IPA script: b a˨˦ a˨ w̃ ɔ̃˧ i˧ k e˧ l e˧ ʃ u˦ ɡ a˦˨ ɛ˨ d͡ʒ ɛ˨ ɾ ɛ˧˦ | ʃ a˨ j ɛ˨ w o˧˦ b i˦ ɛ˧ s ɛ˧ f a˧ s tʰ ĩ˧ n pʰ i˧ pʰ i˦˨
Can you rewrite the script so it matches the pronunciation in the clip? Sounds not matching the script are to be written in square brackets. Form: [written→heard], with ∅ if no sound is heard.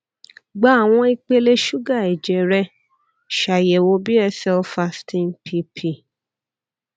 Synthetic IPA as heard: [b→ɡ͡b] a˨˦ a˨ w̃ ɔ̃˧ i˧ [k→k͡p] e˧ l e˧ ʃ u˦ ɡ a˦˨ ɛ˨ d͡ʒ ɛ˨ ɾ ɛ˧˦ | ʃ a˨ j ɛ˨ w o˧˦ b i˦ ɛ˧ s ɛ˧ f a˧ s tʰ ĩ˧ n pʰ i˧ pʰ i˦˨